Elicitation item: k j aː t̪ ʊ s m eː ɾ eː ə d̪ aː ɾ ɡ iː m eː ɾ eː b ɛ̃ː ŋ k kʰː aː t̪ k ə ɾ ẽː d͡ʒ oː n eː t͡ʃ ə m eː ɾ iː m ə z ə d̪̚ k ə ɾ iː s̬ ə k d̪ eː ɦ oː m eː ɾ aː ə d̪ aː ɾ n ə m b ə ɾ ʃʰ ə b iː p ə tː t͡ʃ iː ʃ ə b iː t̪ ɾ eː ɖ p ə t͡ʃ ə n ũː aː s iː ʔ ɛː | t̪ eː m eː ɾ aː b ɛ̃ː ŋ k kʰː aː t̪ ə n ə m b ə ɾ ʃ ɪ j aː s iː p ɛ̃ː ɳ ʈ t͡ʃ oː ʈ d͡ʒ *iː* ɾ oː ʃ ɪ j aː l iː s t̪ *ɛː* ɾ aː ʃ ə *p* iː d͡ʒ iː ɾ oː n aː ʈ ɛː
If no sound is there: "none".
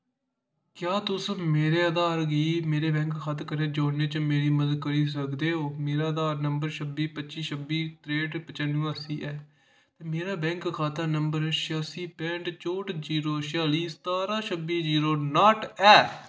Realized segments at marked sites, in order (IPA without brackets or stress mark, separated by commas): iː, aː, b